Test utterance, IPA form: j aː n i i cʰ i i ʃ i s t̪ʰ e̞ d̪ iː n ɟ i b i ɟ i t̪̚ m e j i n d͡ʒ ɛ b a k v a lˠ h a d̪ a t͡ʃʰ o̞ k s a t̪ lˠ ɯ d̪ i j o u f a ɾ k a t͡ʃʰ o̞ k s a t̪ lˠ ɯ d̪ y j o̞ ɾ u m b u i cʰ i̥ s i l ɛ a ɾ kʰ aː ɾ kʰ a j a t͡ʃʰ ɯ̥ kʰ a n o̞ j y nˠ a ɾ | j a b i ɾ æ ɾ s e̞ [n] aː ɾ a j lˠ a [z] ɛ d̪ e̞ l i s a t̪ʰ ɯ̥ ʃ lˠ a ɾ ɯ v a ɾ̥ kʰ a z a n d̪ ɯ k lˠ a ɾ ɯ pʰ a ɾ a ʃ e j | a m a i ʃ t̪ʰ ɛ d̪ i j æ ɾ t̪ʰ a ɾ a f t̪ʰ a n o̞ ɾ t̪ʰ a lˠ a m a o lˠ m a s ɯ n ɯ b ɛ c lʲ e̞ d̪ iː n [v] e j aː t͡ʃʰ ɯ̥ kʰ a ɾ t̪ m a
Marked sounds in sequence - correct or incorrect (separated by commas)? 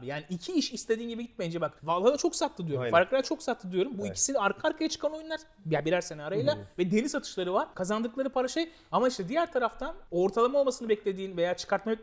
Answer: correct, incorrect, correct